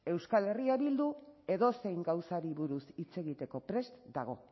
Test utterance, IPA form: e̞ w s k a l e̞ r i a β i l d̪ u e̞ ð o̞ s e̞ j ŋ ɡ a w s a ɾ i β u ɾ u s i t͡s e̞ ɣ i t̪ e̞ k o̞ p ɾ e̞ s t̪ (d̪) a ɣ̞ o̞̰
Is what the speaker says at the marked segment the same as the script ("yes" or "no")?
yes